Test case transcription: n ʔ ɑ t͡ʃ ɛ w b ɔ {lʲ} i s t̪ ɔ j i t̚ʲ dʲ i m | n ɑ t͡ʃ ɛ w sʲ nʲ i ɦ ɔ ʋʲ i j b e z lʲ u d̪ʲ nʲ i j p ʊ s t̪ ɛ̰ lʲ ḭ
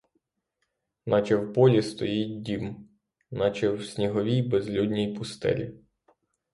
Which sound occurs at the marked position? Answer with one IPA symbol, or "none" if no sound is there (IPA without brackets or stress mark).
lʲ